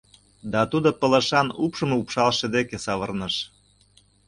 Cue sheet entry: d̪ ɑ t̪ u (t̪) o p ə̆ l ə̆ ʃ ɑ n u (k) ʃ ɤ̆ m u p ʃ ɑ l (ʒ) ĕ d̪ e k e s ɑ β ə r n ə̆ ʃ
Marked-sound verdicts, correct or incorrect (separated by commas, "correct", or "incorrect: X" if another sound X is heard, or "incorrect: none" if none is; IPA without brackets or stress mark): incorrect: d̪, incorrect: p, incorrect: ʃ